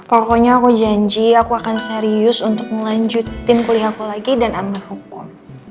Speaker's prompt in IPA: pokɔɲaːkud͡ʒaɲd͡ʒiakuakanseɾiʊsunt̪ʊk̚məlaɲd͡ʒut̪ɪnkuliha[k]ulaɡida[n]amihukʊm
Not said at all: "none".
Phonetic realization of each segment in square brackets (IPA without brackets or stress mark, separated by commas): k, n